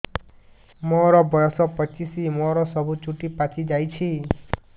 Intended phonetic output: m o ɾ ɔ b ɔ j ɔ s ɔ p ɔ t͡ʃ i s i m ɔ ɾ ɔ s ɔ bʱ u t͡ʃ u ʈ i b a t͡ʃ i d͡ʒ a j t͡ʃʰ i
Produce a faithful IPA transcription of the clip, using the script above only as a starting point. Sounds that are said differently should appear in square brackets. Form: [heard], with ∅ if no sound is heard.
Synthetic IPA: m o ɾ ɔ b ɔ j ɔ s ɔ p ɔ t͡ʃ i s i m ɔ ɾ ɔ s ɔ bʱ u t͡ʃ u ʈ i [p] a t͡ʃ i d͡ʒ a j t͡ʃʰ i